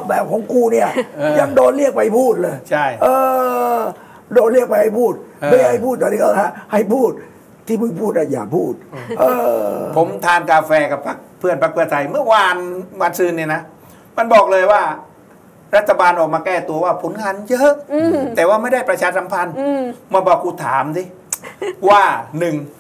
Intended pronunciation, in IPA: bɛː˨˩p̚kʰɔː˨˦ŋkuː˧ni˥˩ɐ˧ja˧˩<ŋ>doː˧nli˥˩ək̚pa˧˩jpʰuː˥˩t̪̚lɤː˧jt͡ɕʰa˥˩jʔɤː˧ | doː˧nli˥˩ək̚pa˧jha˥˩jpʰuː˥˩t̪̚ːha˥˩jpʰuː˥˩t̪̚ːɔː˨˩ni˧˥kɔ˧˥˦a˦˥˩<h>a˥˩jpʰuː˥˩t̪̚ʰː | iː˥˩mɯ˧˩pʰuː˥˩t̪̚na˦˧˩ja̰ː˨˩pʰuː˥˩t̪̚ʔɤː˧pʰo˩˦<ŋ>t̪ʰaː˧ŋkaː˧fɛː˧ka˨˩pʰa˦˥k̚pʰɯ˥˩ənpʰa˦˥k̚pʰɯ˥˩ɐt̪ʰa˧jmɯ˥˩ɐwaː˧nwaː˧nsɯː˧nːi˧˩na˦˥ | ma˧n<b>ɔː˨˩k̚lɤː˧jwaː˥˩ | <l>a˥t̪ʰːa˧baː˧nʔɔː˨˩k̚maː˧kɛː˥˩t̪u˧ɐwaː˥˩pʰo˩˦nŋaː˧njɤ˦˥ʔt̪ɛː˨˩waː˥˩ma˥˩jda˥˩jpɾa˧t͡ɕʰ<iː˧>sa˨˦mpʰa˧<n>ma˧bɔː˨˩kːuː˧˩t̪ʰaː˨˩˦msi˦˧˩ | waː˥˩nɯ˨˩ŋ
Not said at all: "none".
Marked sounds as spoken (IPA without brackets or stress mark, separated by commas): ŋ, h, m, b, ɾ, aː˧, n